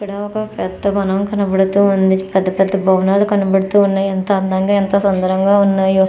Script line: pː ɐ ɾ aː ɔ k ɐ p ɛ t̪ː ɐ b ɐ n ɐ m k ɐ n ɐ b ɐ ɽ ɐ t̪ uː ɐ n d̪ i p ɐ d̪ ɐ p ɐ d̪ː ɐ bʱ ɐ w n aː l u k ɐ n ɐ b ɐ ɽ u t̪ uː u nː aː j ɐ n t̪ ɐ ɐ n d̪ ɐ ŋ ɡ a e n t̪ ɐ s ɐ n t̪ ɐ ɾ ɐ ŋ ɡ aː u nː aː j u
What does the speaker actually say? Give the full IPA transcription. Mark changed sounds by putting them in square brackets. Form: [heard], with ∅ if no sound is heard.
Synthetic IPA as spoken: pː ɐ [ɽ] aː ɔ k ɐ p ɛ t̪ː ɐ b ɐ n ɐ m k ɐ n ɐ b ɐ ɽ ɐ t̪ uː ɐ n d̪ i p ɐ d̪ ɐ p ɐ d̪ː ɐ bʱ ɐ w n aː l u k ɐ n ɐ b ɐ ɽ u t̪ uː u nː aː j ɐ n t̪ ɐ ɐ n d̪ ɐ ŋ ɡ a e n t̪ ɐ s ɐ n [d̪] ɐ ɾ ɐ ŋ ɡ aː u nː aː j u